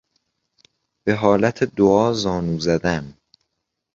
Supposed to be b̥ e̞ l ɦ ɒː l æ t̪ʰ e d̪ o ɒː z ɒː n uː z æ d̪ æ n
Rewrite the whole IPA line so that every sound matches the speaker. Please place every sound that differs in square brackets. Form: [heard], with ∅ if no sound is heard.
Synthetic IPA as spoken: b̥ e̞ [∅] ɦ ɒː l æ t̪ʰ e d̪ o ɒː z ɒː n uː z æ d̪ æ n